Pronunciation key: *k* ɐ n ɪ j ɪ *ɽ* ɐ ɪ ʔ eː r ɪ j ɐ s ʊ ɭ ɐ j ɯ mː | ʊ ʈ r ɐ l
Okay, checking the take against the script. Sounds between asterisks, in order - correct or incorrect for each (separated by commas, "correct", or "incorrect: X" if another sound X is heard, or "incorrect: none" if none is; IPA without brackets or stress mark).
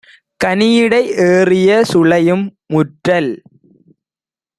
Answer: correct, correct